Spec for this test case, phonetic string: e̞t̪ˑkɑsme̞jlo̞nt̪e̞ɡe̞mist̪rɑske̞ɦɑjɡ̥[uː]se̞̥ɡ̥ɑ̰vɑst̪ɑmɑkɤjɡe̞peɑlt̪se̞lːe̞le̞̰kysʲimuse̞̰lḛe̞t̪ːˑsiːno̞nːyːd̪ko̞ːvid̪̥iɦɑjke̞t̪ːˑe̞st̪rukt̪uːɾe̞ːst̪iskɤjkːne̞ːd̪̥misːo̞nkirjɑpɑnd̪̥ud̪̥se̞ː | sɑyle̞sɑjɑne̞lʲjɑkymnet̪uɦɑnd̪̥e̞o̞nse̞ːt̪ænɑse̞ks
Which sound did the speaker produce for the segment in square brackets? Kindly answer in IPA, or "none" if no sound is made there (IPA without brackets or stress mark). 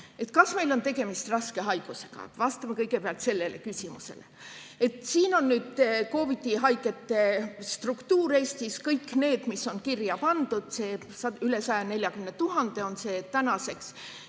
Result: u